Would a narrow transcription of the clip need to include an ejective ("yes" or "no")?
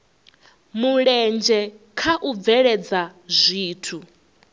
no